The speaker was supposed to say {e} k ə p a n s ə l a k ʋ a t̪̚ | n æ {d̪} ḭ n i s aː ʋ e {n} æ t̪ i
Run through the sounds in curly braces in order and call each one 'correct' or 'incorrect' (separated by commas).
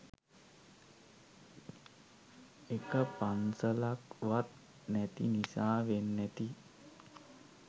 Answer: correct, incorrect, incorrect